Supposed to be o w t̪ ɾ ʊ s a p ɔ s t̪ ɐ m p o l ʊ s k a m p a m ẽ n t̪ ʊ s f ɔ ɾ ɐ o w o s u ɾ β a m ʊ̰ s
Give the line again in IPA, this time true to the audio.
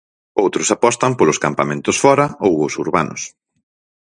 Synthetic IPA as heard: o w t̪ ɾ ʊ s a p ɔ s t̪ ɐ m p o l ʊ s k a m p a m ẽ n t̪ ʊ s f ɔ ɾ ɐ o w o s u ɾ β a n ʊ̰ s